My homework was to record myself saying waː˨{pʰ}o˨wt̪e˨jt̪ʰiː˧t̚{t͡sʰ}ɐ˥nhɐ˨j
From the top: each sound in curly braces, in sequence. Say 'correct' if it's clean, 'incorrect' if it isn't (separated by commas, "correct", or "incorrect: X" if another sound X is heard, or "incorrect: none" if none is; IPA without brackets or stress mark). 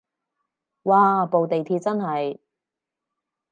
incorrect: p, incorrect: t͡s